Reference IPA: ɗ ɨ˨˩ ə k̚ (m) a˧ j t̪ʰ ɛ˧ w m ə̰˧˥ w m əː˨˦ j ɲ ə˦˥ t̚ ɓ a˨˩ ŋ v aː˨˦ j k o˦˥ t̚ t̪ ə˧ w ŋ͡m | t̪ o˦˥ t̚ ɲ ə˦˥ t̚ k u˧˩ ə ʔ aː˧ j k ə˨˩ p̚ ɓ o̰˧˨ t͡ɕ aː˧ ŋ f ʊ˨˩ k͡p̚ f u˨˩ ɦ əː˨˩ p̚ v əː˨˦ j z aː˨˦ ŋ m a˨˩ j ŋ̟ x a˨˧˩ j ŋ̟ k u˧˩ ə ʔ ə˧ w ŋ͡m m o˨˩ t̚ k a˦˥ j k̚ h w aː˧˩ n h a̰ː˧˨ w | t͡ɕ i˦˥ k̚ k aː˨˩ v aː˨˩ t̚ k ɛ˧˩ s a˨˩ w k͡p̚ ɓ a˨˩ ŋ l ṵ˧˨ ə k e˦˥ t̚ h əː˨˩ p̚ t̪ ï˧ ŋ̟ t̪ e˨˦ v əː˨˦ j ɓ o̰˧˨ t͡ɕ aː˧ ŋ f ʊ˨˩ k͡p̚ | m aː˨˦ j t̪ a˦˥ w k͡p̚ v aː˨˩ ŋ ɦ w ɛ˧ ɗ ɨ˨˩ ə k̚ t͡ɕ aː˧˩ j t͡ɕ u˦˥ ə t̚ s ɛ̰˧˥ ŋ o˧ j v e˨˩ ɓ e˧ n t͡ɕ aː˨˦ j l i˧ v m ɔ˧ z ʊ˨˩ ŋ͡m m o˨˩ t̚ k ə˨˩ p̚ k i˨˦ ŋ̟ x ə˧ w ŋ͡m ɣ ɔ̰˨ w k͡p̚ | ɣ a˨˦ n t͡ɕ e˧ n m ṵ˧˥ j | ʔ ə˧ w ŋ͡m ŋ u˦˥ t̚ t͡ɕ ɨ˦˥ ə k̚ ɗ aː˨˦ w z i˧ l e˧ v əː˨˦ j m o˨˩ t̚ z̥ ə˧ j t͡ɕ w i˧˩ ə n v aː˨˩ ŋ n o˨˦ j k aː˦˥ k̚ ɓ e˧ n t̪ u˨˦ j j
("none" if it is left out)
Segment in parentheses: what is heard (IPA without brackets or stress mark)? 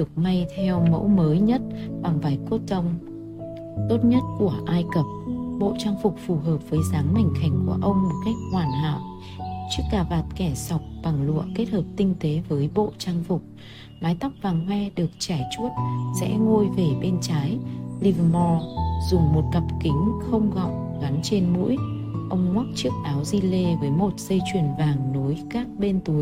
m